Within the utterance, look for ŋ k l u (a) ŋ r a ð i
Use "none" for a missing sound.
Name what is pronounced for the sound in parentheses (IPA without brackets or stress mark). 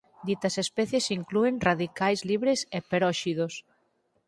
e